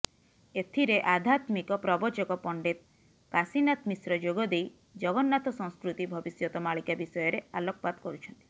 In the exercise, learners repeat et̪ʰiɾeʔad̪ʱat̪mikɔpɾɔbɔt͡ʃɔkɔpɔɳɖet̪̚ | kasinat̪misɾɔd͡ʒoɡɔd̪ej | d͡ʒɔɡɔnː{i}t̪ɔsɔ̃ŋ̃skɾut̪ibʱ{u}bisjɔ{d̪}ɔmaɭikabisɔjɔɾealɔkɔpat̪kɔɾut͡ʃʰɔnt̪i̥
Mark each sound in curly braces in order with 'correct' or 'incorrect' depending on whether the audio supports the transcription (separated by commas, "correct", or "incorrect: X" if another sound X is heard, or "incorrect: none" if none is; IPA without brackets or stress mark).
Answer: incorrect: a, incorrect: ɔ, incorrect: t̪